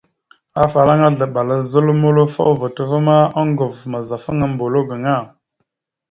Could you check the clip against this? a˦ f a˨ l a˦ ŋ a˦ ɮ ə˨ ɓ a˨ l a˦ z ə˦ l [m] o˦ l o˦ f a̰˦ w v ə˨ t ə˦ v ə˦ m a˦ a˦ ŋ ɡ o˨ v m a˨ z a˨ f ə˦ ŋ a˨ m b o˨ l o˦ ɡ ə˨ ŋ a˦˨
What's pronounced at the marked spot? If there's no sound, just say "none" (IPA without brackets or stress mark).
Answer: m